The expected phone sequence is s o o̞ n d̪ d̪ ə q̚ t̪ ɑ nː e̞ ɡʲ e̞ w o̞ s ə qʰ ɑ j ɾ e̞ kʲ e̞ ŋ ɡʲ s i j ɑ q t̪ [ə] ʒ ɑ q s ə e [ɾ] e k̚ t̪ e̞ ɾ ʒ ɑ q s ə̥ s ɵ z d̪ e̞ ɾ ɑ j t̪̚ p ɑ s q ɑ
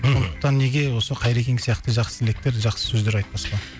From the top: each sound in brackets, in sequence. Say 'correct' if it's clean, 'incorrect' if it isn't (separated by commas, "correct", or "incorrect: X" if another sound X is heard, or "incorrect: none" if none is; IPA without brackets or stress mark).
correct, incorrect: l